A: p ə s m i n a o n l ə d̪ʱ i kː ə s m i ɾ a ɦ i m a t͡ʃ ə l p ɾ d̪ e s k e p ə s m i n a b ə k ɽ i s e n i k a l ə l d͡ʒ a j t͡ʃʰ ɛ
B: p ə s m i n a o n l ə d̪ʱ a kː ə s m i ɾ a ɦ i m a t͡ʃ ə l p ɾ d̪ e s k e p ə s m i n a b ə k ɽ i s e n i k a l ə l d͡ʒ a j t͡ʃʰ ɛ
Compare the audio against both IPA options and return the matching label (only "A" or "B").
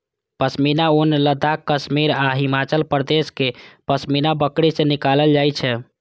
B